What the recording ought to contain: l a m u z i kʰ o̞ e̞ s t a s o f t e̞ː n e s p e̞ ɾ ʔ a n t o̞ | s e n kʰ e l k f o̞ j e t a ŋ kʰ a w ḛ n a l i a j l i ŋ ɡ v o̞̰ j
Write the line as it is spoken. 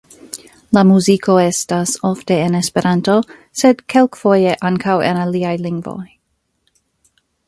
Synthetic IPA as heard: l a m u z i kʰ o̞ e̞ s t a s o f t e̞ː n e s p e̞ ɾ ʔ a n t o̞ | s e d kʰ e l k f o̞ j e ʔ a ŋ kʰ a w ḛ n a l i a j l i ŋ ɡ v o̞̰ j